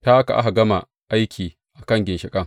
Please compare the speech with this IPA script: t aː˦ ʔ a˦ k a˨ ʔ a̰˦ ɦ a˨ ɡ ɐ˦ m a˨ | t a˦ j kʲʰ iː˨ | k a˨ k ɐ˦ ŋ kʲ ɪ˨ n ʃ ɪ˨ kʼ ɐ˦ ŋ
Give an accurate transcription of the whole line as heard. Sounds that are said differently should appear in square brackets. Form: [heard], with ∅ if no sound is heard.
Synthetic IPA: t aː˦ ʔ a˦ k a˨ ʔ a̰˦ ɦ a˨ ɡ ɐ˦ m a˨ | [ʔ] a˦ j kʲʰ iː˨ | [ʔ] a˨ k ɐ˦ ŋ [ɡʲ] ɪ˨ n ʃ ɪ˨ kʼ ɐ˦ ŋ